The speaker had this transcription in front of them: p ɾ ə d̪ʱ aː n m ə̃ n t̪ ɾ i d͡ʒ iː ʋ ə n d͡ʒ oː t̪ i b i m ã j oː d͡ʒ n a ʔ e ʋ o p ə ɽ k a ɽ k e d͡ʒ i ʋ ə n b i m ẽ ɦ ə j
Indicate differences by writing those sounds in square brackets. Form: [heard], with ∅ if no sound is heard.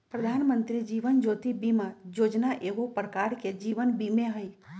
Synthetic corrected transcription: p ɾ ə d̪ʱ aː n m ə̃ n t̪ ɾ i d͡ʒ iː ʋ ə n d͡ʒ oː t̪ i b i m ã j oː d͡ʒ n a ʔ e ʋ o p ə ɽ k a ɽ k e d͡ʒ i ʋ ə n b i m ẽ ɦ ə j